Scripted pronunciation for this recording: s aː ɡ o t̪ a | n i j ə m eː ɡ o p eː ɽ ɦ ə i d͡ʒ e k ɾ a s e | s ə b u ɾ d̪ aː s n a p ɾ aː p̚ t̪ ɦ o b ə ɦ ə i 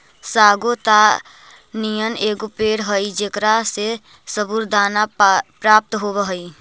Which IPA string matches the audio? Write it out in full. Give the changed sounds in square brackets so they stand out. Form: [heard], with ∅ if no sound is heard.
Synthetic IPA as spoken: s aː ɡ o t̪ a | n i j ə [n] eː ɡ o p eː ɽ ɦ ə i d͡ʒ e k ɾ a s e | s ə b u ɾ d̪ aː [∅] n a p ɾ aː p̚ t̪ ɦ o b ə ɦ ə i